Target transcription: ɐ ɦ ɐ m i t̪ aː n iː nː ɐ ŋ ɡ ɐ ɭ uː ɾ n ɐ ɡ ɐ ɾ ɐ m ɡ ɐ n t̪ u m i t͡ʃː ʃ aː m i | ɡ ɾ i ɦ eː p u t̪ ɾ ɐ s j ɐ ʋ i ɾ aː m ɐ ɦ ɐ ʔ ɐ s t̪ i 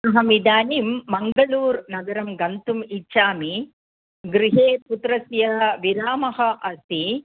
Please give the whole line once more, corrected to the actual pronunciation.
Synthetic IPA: ɐ ɦ ɐ m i d̪ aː n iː mː ɐ ŋ ɡ ɐ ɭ uː ɾ n ɐ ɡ ɐ ɾ ɐ m ɡ ɐ n t̪ u m i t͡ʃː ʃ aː m i | ɡ ɾ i ɦ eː p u t̪ ɾ ɐ s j ɐ ʋ i ɾ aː m ɐ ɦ ɐ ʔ ɐ s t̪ i

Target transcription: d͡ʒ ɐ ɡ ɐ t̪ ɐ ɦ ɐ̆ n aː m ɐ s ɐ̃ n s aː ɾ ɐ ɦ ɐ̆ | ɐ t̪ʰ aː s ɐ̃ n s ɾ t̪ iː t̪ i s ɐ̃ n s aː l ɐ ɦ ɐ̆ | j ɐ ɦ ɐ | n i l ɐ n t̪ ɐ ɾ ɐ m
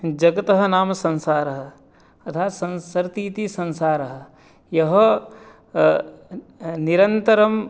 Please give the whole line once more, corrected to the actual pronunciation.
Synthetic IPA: d͡ʒ ɐ ɡ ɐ t̪ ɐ ɦ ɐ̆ n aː m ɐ s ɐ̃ n s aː ɾ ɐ ɦ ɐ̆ | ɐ t̪ʰ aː s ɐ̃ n s ɾ t̪ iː t̪ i s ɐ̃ n s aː ɾ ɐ ɦ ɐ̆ | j ɐ ɦ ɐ | n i ɾ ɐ n t̪ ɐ ɾ ɐ m

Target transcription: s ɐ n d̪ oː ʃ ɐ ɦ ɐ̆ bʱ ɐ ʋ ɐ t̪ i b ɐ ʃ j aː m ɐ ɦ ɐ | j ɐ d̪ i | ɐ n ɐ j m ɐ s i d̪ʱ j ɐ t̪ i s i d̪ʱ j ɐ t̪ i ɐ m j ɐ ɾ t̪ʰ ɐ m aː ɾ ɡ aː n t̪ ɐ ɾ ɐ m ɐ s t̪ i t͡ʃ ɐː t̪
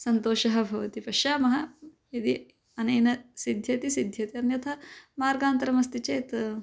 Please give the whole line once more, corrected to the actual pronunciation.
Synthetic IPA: s ɐ n t̪ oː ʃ ɐ ɦ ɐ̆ bʱ ɐ ʋ ɐ t̪ i p ɐ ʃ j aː m ɐ ɦ ɐ | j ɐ d̪ i | ɐ n ɐ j n ɐ s i d̪ʱ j ɐ t̪ i s i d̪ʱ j ɐ t̪ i ɐ n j ɐ t̪ʰ ɐ m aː ɾ ɡ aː n t̪ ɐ ɾ ɐ m ɐ s t̪ i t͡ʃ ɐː t̪

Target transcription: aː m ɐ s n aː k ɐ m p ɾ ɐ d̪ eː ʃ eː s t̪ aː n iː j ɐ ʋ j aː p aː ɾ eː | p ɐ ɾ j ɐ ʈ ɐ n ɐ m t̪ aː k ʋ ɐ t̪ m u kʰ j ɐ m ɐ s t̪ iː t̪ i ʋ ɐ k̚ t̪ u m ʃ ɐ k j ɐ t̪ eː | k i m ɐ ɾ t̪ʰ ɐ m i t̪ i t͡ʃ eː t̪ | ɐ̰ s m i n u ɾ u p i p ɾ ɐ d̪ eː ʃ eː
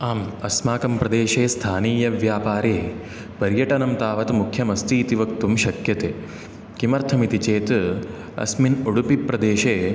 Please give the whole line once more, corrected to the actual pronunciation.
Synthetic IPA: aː m ɐ s m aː k ɐ m p ɾ ɐ d̪ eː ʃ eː s t̪ʰ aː n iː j ɐ ʋ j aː p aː ɾ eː | p ɐ ɾ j ɐ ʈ ɐ n ɐ m t̪ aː ʋ ɐ t̪ m u kʰ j ɐ m ɐ s t̪ iː t̪ i ʋ ɐ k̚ t̪ u m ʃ ɐ k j ɐ t̪ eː | k i m ɐ ɾ t̪ʰ ɐ m i t̪ i t͡ʃ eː t̪ | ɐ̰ s m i n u ɽ u p i p ɾ ɐ d̪ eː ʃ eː

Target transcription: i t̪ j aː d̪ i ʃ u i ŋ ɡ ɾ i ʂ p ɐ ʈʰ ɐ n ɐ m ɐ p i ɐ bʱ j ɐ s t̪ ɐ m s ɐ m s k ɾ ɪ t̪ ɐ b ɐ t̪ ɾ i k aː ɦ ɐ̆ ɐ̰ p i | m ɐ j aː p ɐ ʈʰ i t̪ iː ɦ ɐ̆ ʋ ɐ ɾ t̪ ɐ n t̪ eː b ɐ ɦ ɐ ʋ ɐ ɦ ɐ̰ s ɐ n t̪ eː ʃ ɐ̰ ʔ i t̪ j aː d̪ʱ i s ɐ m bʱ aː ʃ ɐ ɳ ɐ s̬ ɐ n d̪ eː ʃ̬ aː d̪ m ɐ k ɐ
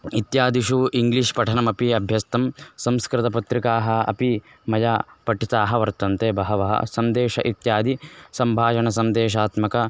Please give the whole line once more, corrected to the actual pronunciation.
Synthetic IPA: i t̪ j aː d̪ i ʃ u i ŋ ɡ l i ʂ p ɐ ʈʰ ɐ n ɐ m ɐ p i ɐ bʱ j ɐ s t̪ ɐ m s ɐ m s k ɾ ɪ t̪ ɐ p ɐ t̪ ɾ i k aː ɦ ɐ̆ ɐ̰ p i | m ɐ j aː p ɐ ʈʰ i t̪ aː ɦ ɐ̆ ʋ ɐ ɾ t̪ ɐ n t̪ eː b ɐ ɦ ɐ ʋ ɐ ɦ ɐ̰ s ɐ n d̪ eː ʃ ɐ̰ ʔ i t̪ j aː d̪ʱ i s ɐ m bʱ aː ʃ ɐ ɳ ɐ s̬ ɐ n d̪ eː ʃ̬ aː t̪ m ɐ k ɐ

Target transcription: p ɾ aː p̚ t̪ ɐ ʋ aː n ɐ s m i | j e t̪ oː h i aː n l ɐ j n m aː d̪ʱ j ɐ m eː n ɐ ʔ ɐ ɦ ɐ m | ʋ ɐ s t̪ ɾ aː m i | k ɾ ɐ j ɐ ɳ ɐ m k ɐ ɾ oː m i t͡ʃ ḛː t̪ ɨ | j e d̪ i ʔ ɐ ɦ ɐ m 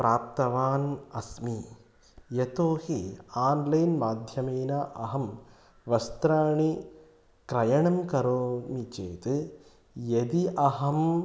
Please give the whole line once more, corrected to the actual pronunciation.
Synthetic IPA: p ɾ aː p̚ t̪ ɐ ʋ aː n ɐ s m i | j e t̪ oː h i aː n l ɐ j n m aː d̪ʱ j ɐ m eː n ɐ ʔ ɐ ɦ ɐ m | ʋ ɐ s t̪ ɾ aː ɳ i | k ɾ ɐ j ɐ ɳ ɐ m k ɐ ɾ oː m i t͡ʃ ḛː t̪ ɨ | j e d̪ i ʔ ɐ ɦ ɐ m

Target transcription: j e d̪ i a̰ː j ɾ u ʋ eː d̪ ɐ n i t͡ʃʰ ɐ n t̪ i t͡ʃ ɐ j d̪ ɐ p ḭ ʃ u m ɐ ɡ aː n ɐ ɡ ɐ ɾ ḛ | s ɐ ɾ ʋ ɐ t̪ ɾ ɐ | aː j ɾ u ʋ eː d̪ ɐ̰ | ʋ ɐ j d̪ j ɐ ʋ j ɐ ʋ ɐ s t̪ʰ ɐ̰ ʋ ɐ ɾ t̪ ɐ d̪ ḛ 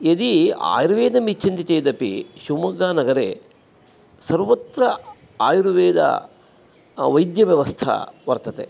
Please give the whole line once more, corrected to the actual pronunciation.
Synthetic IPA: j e d̪ i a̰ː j ɾ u ʋ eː d̪ ɐ m i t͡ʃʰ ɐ n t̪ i t͡ʃ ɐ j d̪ ɐ p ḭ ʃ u m ɐ ɡ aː n ɐ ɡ ɐ ɾ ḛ | s ɐ ɾ ʋ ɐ t̪ ɾ ɐ | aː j ɾ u ʋ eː d̪ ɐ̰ | ʋ ɐ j d̪ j ɐ ʋ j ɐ ʋ ɐ s t̪ʰ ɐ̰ ʋ ɐ ɾ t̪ ɐ t̪ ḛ

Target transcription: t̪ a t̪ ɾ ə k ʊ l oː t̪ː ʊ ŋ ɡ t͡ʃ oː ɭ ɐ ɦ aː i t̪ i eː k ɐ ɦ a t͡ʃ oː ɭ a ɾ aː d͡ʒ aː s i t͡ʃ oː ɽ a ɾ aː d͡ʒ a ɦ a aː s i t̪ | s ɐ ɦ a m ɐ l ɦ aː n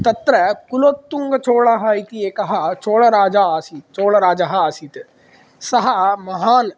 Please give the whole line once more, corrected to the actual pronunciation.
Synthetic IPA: t̪ ɐ t̪ ɾ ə k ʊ l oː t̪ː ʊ ŋ ɡ t͡ʃ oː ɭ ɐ ɦ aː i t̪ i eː k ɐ ɦ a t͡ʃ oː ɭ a ɾ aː d͡ʒ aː s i t͡ʃ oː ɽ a ɾ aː d͡ʒ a ɦ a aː s i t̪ | s ɐ ɦ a m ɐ ɦ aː n

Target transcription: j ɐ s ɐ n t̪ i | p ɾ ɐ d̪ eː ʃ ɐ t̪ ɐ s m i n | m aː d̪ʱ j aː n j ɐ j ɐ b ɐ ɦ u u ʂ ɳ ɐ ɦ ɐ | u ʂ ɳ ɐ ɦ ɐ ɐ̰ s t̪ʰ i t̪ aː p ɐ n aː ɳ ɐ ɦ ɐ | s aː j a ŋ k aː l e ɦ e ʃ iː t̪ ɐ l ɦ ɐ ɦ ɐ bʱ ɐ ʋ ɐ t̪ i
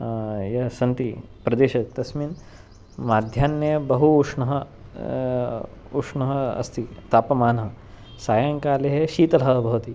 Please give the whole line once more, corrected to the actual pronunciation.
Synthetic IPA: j ɐ s ɐ n t̪ i | p ɾ ɐ d̪ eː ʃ ɐ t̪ ɐ s m i n | m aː d̪ʱ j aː n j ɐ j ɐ b ɐ ɦ u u ʂ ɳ ɐ ɦ ɐ | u ʂ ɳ ɐ ɦ ɐ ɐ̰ s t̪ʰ i t̪ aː p ɐ m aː n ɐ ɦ ɐ | s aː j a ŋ k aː l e ɦ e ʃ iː t̪ ɐ l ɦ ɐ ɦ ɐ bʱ ɐ ʋ ɐ t̪ i

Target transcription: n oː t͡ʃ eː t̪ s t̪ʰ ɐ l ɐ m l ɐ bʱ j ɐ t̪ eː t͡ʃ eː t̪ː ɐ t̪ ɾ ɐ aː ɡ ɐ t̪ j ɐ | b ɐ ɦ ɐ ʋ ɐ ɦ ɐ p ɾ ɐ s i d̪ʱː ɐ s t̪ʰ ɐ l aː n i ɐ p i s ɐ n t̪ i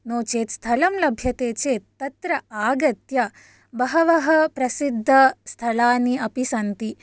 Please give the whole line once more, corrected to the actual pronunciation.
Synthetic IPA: n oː t͡ʃ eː t̪ s t̪ʰ ɐ l ɐ m l ɐ bʱ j ɐ t̪ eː t͡ʃ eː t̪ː ɐ t̪ ɾ ɐ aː ɡ ɐ t̪ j ɐ | b ɐ ɦ ɐ ʋ ɐ ɦ ɐ p ɾ ɐ s i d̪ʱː ɐ s t̪ʰ ɐ l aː n i ɐ p i s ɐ n t̪ i

